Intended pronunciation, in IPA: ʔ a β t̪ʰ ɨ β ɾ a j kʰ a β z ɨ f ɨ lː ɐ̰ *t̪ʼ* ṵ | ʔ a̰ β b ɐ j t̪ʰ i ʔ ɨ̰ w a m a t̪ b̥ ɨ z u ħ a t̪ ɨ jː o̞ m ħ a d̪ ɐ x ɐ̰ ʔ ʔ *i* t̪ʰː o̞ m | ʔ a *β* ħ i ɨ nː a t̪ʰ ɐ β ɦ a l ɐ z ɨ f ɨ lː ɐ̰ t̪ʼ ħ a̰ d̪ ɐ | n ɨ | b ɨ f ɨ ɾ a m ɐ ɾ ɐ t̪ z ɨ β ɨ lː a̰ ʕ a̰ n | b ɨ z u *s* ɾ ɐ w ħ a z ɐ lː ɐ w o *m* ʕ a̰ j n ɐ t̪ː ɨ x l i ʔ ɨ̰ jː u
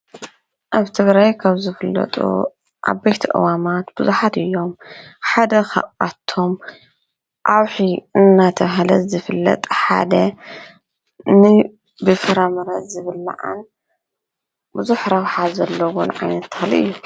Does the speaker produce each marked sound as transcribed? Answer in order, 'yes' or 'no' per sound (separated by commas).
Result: yes, no, no, no, no